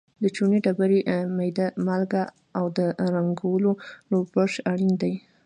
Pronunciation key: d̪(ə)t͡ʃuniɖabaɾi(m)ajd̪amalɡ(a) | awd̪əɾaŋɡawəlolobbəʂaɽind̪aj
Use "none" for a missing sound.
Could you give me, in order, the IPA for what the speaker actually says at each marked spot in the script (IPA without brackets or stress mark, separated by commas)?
ə, m, a